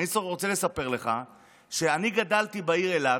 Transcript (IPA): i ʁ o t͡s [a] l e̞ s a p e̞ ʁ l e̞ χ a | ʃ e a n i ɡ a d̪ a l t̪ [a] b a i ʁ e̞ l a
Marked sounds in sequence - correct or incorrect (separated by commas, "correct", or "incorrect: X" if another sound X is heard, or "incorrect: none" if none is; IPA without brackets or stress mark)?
incorrect: e, incorrect: i